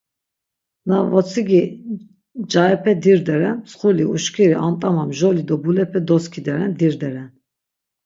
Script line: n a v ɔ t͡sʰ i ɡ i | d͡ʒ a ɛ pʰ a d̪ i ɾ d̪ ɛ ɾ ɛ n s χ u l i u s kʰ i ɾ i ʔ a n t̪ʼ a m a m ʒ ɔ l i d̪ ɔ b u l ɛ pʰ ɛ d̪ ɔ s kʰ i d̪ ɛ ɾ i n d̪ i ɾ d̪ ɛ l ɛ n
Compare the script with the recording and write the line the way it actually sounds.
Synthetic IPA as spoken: n a v ɔ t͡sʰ i ɡ i | d͡ʒ a ɛ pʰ ɛ d̪ i ɾ d̪ ɛ ɾ ɛ n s χ u l i u ʃ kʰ i ɾ i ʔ a n t̪ʼ a m a m ʒ ɔ l i d̪ ɔ b u l ɛ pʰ ɛ d̪ ɔ s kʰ i d̪ ɛ ɾ ɛ n d̪ i ɾ d̪ ɛ ɾ ɛ n